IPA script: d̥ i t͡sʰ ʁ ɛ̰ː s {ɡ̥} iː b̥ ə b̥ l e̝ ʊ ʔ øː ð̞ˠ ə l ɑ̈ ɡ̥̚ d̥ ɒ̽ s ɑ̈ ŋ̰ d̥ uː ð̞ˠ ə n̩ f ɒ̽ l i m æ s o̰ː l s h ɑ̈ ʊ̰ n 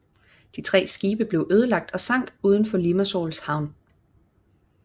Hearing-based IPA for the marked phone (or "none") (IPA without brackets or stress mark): ɡ̥